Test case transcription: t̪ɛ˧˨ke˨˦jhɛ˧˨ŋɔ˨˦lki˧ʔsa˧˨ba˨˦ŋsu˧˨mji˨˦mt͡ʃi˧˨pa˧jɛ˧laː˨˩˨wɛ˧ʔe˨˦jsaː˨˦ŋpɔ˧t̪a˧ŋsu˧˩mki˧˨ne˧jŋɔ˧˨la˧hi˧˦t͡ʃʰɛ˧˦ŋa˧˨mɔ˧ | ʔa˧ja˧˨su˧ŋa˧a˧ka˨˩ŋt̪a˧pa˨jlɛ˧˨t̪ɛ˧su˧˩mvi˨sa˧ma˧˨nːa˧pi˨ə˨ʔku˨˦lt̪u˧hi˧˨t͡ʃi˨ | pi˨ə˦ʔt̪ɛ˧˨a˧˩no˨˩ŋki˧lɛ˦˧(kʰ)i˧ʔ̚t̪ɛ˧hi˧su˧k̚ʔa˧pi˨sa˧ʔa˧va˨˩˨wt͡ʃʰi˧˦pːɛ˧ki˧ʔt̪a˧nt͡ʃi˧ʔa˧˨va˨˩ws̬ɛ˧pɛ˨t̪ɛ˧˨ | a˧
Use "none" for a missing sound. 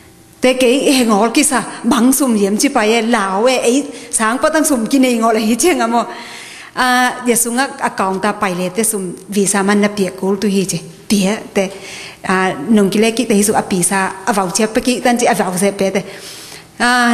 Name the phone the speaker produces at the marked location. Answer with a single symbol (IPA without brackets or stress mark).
k